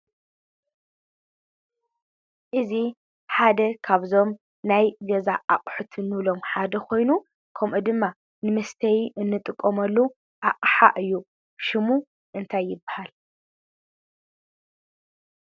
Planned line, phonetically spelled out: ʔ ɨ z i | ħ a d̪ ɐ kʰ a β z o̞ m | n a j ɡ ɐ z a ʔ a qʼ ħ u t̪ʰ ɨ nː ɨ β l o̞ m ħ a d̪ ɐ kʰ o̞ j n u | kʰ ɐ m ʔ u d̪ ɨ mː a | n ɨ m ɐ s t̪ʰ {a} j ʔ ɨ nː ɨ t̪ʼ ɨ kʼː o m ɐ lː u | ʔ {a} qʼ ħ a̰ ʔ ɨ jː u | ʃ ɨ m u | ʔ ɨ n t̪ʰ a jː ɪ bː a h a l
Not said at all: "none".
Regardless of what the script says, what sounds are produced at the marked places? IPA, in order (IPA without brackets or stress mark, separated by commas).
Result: ɐ, a